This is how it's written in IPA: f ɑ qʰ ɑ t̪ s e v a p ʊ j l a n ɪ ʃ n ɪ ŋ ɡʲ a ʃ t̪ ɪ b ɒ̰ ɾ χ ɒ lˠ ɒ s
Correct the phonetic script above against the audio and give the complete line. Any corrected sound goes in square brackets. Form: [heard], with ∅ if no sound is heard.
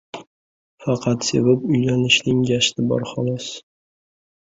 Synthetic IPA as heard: f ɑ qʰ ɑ t̪ s e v a p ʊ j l a n ɪ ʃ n ɪ ŋ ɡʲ a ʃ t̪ ɪ b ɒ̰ ɾ χ ɒ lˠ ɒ s